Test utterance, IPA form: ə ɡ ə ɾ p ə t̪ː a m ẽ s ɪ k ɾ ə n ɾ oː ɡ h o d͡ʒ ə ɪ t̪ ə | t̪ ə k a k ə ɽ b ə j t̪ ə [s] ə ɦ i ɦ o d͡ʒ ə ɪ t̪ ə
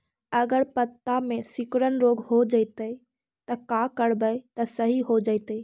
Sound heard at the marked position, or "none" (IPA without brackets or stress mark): s